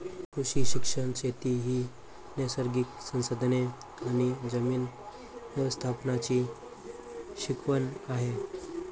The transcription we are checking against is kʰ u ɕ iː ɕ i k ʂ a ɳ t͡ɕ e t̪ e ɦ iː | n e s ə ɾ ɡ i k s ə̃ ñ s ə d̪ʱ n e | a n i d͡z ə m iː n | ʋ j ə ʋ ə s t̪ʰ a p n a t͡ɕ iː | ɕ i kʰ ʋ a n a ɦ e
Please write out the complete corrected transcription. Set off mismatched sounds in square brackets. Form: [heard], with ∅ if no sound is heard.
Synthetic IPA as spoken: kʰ u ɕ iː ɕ i k ʂ [ə] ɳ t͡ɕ e t̪ [i] ɦ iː | n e s ə ɾ ɡ i k s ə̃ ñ s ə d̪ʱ n e | a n i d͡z ə m iː n | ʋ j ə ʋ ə s t̪ʰ a p n a t͡ɕ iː | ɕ i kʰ ʋ [ə] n a ɦ e